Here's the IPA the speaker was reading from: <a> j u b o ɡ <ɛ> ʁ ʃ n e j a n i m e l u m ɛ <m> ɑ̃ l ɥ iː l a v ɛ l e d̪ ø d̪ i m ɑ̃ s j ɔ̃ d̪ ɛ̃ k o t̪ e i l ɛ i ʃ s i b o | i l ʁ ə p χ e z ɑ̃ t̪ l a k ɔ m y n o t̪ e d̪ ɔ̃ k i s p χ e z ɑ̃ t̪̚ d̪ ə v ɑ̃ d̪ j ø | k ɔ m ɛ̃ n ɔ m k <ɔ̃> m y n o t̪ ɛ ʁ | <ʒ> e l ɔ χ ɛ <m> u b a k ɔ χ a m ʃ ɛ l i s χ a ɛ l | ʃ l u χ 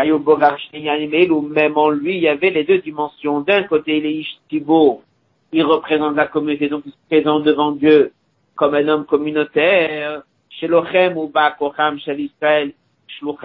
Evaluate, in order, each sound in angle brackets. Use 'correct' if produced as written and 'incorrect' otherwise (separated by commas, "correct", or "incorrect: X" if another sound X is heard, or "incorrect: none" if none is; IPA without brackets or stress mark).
correct, incorrect: a, correct, incorrect: ɔ, incorrect: ʃ, correct